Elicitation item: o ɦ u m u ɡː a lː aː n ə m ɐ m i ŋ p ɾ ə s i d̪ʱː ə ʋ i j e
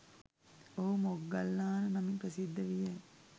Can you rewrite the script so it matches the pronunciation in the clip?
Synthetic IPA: o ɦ u m o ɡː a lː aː n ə n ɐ m i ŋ p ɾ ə s i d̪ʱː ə ʋ i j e